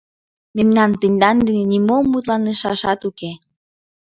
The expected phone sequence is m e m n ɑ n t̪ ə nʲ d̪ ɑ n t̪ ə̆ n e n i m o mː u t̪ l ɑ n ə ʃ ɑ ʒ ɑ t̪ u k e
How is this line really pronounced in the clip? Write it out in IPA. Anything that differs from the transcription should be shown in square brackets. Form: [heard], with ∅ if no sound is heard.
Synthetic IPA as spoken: m e m n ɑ n t̪ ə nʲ d̪ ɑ n [d̪] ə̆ n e n i m o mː u t̪ l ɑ n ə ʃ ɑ [ʃ] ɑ t̪ u k e